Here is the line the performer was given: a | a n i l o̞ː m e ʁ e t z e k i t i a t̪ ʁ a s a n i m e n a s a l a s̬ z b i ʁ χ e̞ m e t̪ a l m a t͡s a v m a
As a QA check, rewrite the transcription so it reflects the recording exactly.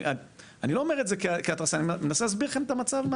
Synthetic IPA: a | a n i l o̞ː m e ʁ e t z e k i k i a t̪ ʁ a s a n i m e n a s e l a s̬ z b i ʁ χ e̞ m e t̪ a m a t͡s a v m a